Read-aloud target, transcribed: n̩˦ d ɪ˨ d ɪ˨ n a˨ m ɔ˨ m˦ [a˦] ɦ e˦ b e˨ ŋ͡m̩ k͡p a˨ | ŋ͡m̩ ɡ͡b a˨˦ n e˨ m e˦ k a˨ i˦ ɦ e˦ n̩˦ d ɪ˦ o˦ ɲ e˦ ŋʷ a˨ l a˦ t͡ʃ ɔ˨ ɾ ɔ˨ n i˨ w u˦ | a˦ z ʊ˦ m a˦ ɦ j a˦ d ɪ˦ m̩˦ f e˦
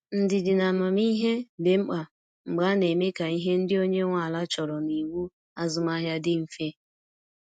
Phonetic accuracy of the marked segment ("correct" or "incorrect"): incorrect